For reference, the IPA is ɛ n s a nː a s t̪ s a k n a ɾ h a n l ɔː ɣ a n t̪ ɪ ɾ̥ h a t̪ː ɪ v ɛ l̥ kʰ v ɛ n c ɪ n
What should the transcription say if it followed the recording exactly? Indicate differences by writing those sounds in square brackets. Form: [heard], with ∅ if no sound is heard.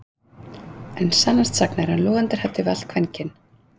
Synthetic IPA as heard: ɛ n s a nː a s t̪ s a k n a ɾ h a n l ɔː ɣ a n t̪ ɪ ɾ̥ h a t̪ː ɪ v [a] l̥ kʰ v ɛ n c ɪ n